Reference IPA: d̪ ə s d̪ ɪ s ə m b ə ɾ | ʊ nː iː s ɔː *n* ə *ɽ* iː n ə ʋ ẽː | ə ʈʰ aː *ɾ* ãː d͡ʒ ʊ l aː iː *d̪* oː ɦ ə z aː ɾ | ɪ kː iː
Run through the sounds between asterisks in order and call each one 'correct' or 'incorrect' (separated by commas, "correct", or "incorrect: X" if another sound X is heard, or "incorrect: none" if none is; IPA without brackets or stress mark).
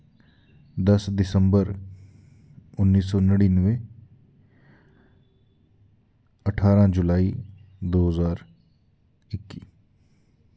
correct, correct, correct, correct